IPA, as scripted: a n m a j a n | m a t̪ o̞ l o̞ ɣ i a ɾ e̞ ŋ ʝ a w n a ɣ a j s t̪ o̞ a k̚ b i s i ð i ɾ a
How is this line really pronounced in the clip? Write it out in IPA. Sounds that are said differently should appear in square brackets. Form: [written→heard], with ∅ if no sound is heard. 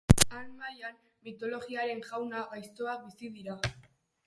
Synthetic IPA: a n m a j a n | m [a→i] t̪ o̞ l o̞ ɣ i a ɾ e̞ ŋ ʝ a w n a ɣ a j s t̪ o̞ a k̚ b i s i ð i ɾ a